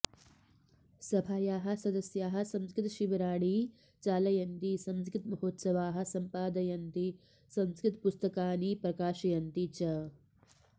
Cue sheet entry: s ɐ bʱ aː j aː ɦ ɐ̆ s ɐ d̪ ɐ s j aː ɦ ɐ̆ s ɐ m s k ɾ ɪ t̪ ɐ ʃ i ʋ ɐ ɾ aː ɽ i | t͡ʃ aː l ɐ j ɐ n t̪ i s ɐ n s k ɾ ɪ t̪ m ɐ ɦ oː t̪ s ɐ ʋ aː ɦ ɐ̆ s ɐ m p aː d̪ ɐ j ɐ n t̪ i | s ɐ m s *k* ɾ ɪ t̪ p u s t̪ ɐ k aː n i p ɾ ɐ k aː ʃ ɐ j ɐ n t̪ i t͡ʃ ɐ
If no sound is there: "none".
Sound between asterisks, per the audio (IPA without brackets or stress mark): k